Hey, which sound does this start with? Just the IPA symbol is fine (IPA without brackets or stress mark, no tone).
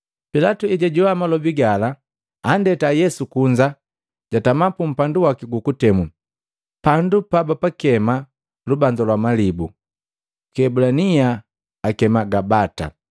p